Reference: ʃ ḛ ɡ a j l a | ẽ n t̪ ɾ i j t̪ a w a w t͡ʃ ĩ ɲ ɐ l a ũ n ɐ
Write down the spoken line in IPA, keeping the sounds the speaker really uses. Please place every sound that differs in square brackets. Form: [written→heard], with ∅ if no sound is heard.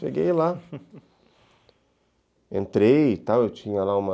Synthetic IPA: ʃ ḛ ɡ [a→e] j l a | ẽ n t̪ ɾ [i→e] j t̪ a w [a→e] w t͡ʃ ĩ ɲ ɐ l a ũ [n→m] ɐ